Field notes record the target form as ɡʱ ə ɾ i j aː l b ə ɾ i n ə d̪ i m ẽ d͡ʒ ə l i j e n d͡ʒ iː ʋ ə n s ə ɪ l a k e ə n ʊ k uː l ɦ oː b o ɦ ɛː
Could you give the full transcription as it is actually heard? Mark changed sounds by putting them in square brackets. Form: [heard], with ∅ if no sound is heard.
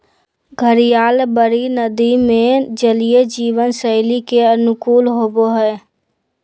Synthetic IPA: ɡʱ ə ɾ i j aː l b ə ɾ i n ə d̪ i m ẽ d͡ʒ ə l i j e [∅] d͡ʒ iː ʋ ə n s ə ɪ l [i] k e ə n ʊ k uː l ɦ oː b o ɦ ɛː